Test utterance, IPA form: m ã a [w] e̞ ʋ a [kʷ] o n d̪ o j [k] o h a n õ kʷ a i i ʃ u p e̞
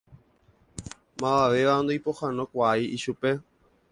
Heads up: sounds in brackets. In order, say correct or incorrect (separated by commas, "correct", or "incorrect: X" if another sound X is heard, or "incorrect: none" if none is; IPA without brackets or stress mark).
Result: incorrect: ʋ, incorrect: none, incorrect: p